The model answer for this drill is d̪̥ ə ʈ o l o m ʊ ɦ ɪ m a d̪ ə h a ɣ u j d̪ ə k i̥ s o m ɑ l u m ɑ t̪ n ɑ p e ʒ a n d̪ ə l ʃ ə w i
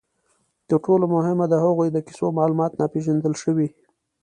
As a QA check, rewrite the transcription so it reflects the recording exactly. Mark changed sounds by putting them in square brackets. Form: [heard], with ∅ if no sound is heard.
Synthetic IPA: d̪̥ ə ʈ o l o m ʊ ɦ ɪ m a d̪ ə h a ɣ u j d̪ ə k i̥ s o m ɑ l u m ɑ t̪ n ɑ p e ʒ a n d̪ ə l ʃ ə w i